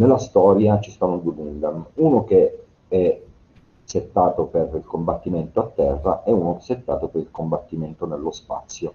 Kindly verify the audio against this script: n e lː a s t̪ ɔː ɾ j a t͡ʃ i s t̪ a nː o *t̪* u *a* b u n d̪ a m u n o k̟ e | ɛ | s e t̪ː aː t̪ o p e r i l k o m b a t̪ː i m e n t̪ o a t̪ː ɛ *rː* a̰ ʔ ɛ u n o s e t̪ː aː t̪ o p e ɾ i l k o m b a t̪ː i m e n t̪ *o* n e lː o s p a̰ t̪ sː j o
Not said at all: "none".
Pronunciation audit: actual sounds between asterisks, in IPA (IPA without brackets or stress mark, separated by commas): d̪, e, rː, o